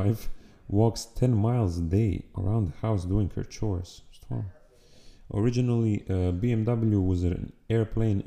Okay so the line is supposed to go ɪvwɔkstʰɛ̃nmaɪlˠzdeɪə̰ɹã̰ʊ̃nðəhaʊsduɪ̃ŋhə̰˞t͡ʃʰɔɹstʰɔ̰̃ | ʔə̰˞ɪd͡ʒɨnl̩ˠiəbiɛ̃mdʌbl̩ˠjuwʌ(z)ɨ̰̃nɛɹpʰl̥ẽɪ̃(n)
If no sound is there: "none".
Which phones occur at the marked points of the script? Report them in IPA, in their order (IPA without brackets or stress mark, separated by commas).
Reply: z, n